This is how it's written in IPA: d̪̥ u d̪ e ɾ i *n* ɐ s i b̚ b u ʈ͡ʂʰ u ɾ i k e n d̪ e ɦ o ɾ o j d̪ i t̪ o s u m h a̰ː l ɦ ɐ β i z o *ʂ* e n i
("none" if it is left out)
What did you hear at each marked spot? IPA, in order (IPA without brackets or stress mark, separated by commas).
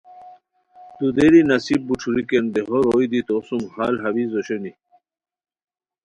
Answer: n, ɕ